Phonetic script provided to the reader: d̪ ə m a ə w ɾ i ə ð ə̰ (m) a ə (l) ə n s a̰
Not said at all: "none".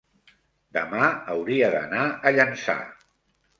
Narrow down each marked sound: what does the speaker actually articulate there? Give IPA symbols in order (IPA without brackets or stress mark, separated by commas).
n, ʎ